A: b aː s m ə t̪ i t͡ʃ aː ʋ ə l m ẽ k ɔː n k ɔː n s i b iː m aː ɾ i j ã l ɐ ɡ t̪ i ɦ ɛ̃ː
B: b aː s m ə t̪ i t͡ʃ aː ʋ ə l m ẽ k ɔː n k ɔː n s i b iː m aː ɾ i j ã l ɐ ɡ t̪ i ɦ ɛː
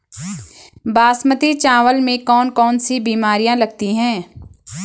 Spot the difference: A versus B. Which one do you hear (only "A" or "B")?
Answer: A